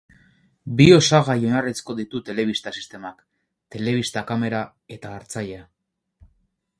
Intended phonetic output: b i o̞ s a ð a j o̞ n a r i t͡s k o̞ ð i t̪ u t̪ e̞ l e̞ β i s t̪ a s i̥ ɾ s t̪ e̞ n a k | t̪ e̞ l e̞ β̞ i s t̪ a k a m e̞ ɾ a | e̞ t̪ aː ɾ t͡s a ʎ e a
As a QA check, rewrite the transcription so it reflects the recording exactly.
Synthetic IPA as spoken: b i o̞ s a ɣ a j o̞ n a r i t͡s k o̞ ð i t̪ u t̪ e̞ l e̞ β i s t̪ a s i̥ s t̪ e̞ m a k | t̪ e̞ l e̞ β̞ i s t̪ a k a m e̞ ɾ a | e̞ t̪ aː ɾ t͡s a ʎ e a